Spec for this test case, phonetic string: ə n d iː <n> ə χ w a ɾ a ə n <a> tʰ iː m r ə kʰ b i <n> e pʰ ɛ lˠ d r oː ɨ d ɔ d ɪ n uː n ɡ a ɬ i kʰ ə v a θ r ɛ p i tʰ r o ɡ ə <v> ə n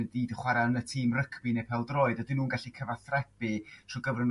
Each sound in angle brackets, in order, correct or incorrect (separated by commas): incorrect, incorrect, correct, correct